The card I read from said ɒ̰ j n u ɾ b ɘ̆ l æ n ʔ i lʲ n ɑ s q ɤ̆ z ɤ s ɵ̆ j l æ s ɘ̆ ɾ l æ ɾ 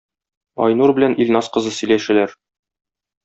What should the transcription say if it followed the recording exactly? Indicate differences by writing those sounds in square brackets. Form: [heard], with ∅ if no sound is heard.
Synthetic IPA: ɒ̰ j n u ɾ b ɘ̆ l æ n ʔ i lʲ n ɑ s q ɤ̆ z ɤ s ɵ̆ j l æ [ʃ] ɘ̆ [∅] l æ ɾ

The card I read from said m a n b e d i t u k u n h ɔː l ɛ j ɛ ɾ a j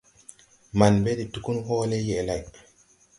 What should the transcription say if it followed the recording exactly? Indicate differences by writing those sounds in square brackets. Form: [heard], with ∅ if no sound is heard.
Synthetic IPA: m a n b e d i t u k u n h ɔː l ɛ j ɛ [l] a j

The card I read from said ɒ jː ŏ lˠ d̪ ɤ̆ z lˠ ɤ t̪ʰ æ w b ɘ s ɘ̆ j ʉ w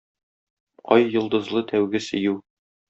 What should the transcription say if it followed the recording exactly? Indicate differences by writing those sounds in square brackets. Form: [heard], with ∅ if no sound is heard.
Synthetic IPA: ɒ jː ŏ lˠ d̪ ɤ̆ z lˠ ɤ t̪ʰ æ w [ɡ] ɘ s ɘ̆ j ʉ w

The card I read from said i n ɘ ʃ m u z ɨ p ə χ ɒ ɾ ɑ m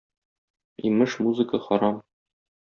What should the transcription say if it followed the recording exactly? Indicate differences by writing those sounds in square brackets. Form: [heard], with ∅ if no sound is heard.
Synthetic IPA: i [m] ɘ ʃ m u z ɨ [k] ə χ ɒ ɾ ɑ m

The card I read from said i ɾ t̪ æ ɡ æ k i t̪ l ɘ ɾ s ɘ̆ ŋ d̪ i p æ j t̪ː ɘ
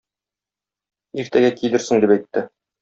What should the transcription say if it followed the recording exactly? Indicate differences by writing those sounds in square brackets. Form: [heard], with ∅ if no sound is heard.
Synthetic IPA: i ɾ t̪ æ ɡ æ k i [∅] l ɘ ɾ s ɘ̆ ŋ d̪ i p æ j t̪ː ɘ

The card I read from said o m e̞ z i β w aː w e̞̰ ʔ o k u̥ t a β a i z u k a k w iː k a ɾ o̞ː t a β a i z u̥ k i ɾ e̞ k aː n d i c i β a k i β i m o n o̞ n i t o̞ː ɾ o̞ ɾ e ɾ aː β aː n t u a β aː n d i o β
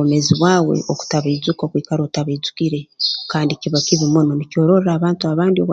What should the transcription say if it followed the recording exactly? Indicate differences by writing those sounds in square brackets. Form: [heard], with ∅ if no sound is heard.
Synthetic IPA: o m e̞ z i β w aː w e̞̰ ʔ o k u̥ t a β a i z u k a k w iː k a ɾ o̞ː t a β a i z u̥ k i ɾ e̞ k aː n d i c i β a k i β i m o n o̞ n i [c] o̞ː ɾ o̞ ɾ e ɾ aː β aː n t u a β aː n d i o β

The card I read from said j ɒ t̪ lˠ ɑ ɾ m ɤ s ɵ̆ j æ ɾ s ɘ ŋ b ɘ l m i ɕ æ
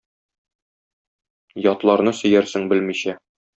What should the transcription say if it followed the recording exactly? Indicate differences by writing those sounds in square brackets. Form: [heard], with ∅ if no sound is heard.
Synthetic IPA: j ɒ t̪ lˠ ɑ ɾ [n] ɤ s ɵ̆ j æ ɾ s ɘ ŋ b ɘ l m i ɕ æ

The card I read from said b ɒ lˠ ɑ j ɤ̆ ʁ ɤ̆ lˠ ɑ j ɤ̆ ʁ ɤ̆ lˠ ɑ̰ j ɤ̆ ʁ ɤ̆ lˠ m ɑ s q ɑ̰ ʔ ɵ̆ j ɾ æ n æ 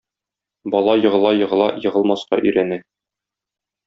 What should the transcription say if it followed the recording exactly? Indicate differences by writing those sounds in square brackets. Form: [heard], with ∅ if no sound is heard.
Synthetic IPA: b ɒ lˠ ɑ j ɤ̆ ʁ ɤ̆ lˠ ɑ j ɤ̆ ʁ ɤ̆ lˠ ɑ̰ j ɤ̆ ʁ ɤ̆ lˠ m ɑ s q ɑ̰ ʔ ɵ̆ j ɾ æ n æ

